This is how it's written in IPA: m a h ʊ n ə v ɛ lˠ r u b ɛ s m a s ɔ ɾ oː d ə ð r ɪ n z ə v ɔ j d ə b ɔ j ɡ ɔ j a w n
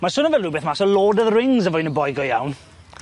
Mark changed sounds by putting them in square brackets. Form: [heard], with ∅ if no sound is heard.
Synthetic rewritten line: m a [s] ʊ n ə v ɛ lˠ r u b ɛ [θ] m a s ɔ [l] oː d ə ð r ɪ [ŋ] z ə v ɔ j [n] ə b ɔ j ɡ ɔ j a w n

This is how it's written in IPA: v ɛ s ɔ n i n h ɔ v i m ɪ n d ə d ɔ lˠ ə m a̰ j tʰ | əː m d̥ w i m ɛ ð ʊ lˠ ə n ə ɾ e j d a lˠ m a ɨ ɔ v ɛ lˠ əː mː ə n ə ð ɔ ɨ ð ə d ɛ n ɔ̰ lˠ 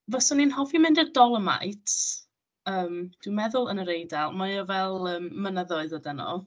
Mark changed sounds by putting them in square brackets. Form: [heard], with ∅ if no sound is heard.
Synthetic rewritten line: v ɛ s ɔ n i n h ɔ v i m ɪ n d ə d ɔ lˠ ə m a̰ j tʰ | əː m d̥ w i m ɛ ð ʊ lˠ ə n ə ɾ e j d a lˠ m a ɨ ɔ v ɛ lˠ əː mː ə n ə ð ɔ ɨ ð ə d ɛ n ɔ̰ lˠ

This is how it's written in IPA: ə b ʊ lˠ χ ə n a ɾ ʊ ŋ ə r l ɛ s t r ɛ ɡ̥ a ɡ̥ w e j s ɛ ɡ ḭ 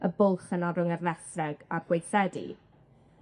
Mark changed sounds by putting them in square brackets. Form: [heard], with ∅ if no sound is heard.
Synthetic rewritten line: ə b ʊ lˠ χ ə n a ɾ ʊ ŋ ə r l ɛ s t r ɛ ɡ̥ a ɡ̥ w e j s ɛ [d] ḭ

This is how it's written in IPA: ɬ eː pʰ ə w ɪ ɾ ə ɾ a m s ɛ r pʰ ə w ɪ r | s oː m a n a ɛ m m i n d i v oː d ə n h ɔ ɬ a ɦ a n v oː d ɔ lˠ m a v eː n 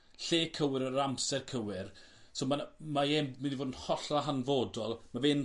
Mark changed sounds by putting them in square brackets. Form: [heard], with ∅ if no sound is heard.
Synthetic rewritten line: ɬ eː [kʰ] ə w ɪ ɾ ə ɾ a m s ɛ r [kʰ] ə w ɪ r | s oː m a [m] a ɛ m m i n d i v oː d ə n h ɔ ɬ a ɦ a n v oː d ɔ lˠ m a v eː n

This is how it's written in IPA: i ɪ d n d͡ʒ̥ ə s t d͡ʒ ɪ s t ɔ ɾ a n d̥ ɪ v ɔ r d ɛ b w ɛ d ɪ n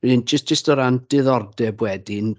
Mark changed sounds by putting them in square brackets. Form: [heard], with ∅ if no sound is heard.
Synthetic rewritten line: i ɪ [∅] n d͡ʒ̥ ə s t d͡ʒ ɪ s t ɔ ɾ a n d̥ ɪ [ð] ɔ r d ɛ b w ɛ d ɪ n

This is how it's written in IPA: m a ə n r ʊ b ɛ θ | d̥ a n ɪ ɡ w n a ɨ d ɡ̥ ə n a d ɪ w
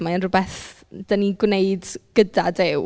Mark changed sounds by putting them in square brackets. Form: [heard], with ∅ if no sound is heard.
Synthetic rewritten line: m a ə n r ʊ b ɛ θ | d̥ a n [i] ɡ w n [e] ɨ d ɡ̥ ə [d] a d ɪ w

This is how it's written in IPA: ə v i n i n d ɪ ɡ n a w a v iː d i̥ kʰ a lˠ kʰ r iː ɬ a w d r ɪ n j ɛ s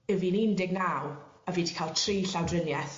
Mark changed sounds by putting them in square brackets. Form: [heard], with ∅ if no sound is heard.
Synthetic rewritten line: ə v i n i n d ɪ ɡ n a w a v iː d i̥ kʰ a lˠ [tʰ] r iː ɬ a w d r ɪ n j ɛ [θ]

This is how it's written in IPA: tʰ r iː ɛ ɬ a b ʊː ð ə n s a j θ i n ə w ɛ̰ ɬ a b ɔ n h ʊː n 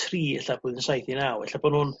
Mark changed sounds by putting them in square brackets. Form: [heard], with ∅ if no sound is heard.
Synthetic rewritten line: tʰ r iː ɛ ɬ a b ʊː ð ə n s a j θ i n [a] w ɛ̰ ɬ a b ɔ n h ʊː n

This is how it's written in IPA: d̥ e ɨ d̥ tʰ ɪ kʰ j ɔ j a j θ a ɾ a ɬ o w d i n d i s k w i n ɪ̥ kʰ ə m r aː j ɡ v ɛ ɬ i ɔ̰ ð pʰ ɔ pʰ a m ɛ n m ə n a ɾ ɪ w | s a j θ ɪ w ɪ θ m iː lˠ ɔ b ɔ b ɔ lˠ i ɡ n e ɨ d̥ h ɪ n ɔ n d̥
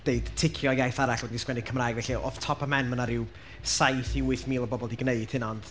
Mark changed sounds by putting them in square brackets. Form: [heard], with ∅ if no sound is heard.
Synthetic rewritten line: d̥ e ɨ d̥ tʰ ɪ kʰ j ɔ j a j θ a ɾ a ɬ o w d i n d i s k w [ɛ] n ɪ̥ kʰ ə m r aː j ɡ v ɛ ɬ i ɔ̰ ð [tʰ] ɔ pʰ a m ɛ n m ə n a ɾ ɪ w | s a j θ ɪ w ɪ θ m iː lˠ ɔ b ɔ b ɔ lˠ i ɡ n e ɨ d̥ h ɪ n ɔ n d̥

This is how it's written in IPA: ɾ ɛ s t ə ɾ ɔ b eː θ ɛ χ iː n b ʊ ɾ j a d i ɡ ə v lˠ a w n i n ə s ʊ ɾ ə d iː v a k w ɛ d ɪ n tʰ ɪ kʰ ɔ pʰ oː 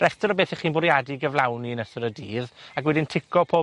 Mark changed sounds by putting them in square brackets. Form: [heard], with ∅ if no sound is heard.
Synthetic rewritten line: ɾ ɛ s t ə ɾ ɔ b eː θ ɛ χ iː n b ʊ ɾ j a d i ɡ ə v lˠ a w n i n ə s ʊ ɾ ə d iː [ð] a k w ɛ d ɪ n tʰ ɪ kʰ ɔ pʰ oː

